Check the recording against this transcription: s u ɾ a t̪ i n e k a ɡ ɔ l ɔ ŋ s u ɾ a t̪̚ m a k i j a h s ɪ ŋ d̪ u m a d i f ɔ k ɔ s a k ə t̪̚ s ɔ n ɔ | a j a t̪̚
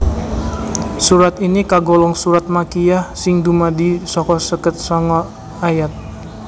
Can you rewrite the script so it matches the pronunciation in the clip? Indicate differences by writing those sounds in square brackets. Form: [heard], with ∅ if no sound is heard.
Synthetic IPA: s u ɾ a t̪ i n [i] k a ɡ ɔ l ɔ ŋ s u ɾ a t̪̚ m a k i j a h s ɪ ŋ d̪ u m a d i [s] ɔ k ɔ s [ə] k ə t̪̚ s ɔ [ŋ] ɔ | a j a t̪̚